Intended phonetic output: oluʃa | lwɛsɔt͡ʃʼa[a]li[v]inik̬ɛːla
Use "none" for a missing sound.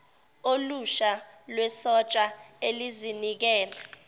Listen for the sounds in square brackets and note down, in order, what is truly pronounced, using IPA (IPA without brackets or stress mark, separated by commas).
e, z